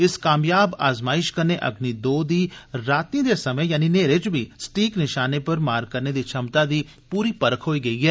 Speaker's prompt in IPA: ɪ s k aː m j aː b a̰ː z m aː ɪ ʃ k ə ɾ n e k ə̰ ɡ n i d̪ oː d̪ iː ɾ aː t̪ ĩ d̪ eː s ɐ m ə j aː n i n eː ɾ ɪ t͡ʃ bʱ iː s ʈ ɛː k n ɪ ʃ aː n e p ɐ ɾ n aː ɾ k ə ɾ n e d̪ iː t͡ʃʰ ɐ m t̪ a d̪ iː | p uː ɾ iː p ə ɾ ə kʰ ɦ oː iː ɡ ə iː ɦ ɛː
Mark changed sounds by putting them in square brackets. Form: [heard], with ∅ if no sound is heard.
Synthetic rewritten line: ɪ s k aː m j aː b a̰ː z m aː ɪ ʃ k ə ɾ n e [ʔ] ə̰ ɡ n i d̪ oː d̪ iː ɾ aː t̪ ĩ d̪ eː s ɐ m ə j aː n i n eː ɾ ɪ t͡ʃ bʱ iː s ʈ [iː] k n ɪ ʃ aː n e p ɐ ɾ [m] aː ɾ k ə ɾ n e d̪ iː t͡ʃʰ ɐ m t̪ a d̪ iː | p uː ɾ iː p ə ɾ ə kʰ ɦ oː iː ɡ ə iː ɦ ɛː